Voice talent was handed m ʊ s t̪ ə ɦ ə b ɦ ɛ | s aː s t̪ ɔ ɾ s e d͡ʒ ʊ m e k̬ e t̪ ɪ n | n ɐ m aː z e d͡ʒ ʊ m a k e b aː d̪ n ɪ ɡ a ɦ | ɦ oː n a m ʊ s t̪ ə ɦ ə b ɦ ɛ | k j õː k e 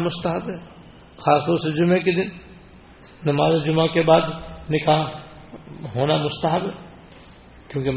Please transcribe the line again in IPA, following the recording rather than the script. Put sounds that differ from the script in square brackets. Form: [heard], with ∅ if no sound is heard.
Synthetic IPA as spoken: m ʊ s t̪ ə ɦ ə b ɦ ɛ | [x] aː s t̪ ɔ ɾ s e d͡ʒ ʊ m e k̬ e [d̪] ɪ n | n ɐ m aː z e d͡ʒ ʊ m a k e b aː d̪ n ɪ [k] a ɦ | ɦ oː n a m ʊ s t̪ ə ɦ ə b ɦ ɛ | k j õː k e